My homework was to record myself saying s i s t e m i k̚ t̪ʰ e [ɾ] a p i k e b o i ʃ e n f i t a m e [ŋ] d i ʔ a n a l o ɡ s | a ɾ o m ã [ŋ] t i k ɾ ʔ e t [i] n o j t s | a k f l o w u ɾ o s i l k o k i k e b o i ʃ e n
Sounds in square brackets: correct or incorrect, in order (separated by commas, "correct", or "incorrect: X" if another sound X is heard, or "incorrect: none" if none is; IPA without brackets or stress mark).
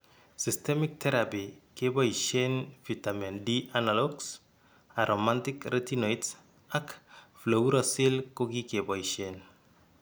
correct, incorrect: n, incorrect: n, correct